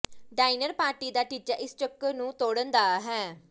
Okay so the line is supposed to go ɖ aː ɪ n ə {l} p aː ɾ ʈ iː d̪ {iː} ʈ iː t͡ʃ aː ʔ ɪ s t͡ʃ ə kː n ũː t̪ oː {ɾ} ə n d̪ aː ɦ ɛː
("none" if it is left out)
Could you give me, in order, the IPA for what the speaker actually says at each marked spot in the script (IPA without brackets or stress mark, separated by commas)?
ɾ, aː, ɽ